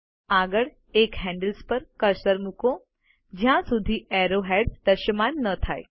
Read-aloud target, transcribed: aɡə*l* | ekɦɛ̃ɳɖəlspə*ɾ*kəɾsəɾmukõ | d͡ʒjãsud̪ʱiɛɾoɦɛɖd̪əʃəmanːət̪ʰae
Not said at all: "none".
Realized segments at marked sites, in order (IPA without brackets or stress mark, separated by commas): ɭ, ɾ